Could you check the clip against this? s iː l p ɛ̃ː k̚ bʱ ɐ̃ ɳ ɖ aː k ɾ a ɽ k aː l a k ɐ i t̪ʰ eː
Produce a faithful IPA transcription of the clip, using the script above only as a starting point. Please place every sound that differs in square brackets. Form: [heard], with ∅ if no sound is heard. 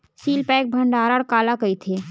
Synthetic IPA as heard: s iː l p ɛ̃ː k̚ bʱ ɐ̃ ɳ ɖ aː [∅] ɾ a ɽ k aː l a k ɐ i t̪ʰ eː